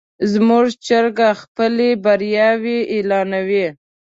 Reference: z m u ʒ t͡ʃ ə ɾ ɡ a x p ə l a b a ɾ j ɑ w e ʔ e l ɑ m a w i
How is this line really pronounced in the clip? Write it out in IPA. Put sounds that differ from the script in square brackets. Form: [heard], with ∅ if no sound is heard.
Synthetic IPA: z m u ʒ t͡ʃ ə ɾ ɡ a x p ə l [e] b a ɾ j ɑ w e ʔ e l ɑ [n] a w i